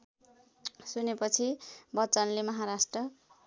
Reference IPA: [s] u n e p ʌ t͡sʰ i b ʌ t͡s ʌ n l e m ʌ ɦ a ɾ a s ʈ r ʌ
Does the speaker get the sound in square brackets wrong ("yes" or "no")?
no